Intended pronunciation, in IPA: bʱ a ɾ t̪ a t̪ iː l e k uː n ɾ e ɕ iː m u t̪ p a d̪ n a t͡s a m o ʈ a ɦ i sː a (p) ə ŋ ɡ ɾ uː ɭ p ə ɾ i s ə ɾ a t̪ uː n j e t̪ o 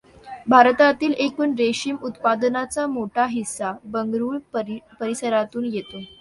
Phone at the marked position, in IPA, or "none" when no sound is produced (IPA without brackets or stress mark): b